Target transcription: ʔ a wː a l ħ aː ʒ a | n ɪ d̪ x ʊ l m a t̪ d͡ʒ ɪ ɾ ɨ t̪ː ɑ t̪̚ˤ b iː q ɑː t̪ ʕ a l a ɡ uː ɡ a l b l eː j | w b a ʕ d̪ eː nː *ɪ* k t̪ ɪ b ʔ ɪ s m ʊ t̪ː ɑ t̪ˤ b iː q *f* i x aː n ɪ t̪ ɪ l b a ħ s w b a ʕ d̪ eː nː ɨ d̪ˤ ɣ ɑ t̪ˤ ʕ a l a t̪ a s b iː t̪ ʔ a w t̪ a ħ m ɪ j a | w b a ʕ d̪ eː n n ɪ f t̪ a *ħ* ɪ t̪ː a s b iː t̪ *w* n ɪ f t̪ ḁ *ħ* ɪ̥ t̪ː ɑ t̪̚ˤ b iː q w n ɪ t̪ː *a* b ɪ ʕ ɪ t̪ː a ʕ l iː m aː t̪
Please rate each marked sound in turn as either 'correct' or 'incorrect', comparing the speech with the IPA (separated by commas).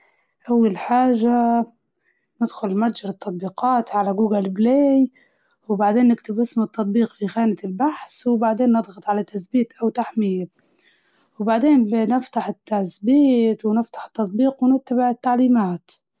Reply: correct, correct, correct, correct, correct, correct